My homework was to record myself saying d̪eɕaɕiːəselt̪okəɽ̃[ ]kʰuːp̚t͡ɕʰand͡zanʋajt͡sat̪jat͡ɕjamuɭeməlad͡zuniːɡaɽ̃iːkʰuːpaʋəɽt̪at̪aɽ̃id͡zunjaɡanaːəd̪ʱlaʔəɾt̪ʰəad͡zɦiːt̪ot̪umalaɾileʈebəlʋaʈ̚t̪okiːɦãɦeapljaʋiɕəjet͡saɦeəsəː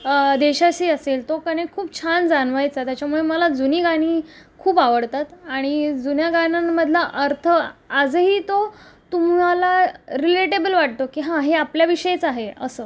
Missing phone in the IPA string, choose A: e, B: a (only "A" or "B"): A